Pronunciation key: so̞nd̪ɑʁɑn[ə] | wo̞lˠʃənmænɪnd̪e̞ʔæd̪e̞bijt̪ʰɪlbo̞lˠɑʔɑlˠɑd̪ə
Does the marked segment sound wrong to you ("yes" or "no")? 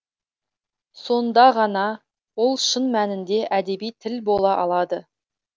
yes